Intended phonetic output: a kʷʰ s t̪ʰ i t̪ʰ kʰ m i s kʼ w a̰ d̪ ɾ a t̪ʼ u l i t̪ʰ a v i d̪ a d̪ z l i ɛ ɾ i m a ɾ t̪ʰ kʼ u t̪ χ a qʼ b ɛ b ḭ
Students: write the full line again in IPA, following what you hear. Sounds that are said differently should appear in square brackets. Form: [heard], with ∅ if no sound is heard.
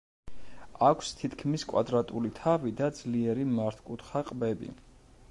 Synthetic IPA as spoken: a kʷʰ s t̪ʰ i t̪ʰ kʰ m i s kʼ w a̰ d̪ ɾ a t̪ʼ u l i t̪ʰ a v i d̪ a d̪ z l i ɛ ɾ i m a ɾ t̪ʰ kʼ u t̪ χ a qʼ b ɛ b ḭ